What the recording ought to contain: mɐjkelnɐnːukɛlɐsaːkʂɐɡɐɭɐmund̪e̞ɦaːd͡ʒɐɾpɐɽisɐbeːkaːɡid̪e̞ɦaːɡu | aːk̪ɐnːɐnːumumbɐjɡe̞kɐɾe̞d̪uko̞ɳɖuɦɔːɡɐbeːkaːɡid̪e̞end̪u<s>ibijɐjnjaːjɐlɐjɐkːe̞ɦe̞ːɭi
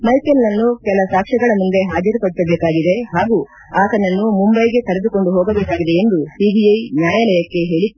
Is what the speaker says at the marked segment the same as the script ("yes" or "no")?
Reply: yes